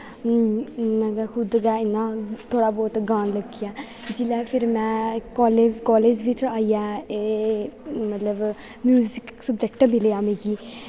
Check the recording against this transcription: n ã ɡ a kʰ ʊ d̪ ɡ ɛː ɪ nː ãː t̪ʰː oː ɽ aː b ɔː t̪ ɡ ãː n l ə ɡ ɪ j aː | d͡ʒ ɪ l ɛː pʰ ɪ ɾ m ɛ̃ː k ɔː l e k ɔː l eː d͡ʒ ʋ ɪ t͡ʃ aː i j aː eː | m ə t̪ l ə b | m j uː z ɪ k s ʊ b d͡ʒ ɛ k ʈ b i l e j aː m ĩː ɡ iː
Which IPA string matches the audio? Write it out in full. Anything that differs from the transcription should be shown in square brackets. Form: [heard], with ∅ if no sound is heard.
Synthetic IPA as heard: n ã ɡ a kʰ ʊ d̪ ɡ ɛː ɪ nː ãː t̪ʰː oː ɽ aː b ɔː t̪ ɡ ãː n l ə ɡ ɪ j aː | d͡ʒ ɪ l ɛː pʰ ɪ ɾ m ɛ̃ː k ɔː l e k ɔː l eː d͡ʒ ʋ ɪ t͡ʃ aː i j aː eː | m ə t̪ l ə b | m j uː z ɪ k s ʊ b d͡ʒ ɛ k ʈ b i l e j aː m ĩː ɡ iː

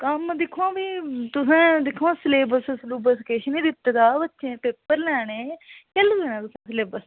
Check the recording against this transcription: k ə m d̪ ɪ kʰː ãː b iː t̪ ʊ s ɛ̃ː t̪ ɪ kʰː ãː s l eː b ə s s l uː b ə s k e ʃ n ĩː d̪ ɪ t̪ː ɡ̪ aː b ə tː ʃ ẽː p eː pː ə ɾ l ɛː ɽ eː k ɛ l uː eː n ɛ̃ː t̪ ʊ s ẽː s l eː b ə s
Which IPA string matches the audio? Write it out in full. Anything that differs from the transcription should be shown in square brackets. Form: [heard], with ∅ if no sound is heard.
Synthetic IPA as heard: k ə m d̪ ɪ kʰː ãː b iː t̪ ʊ s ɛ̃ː [d̪] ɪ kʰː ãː s l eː b ə s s l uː b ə s k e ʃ n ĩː d̪ ɪ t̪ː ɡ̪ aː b ə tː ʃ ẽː p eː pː ə ɾ l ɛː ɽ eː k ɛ l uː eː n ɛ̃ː t̪ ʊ s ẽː s l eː b ə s

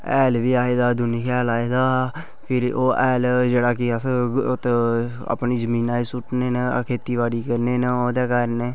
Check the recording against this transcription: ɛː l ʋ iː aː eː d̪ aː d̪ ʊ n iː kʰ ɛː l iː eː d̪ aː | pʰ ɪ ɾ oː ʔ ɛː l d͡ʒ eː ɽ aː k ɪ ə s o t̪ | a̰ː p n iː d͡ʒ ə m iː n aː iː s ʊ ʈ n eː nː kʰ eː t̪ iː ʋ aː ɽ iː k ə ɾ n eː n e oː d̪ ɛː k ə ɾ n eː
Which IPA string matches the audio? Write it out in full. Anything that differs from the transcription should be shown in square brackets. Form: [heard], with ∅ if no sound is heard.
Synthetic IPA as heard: ɛː l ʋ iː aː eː d̪ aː d̪ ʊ n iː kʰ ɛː l [aː] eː d̪ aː | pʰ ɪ ɾ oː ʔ ɛː l d͡ʒ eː ɽ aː k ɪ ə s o t̪ | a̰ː p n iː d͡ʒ ə m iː n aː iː s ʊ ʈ n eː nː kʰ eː t̪ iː ʋ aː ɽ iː k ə ɾ n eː n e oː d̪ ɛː k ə ɾ n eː

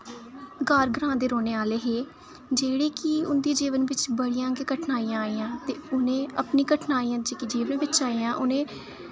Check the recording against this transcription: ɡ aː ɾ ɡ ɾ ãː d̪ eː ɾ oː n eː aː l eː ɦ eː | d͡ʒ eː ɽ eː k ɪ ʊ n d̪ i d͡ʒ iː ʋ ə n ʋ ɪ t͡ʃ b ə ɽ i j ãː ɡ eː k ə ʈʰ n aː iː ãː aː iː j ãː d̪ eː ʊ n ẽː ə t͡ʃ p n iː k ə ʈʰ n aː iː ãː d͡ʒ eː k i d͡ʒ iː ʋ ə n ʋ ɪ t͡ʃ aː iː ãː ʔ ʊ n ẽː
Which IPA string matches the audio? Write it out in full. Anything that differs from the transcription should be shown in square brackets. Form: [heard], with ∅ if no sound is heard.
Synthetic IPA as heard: ɡ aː ɾ ɡ ɾ ãː d̪ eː ɾ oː n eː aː l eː ɦ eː | d͡ʒ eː ɽ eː k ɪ ʊ n d̪ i d͡ʒ iː ʋ ə n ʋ ɪ t͡ʃ b ə ɽ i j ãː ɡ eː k ə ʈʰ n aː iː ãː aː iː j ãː [t̪] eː ʊ n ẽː ə [∅] p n iː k ə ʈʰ n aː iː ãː d͡ʒ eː k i d͡ʒ iː ʋ ə n ʋ ɪ t͡ʃ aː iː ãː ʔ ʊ n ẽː

